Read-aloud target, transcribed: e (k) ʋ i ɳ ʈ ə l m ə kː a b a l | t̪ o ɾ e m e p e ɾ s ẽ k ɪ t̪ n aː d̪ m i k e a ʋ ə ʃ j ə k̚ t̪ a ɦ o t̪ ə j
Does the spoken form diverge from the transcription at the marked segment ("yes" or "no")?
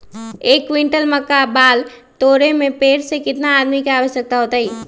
no